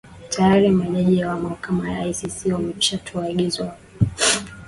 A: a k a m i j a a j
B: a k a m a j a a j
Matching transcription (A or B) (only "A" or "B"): B